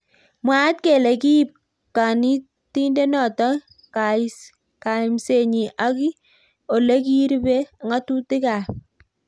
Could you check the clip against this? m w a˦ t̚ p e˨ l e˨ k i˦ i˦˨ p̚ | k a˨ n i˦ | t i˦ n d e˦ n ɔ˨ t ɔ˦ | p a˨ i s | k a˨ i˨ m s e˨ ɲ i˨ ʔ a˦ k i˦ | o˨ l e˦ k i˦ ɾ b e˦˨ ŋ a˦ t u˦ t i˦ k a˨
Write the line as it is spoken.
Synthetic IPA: m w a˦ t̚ k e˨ l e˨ k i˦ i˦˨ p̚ | k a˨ n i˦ | t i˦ n d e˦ n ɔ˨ t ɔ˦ | k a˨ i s | k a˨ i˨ m s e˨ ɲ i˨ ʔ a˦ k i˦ | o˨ l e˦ k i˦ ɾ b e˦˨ ŋ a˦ t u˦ t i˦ k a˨